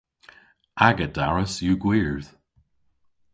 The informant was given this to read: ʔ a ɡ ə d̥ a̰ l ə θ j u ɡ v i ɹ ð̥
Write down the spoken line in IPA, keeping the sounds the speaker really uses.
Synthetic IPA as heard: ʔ a ɡ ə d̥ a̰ ɹ ə s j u ɡ w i ɹ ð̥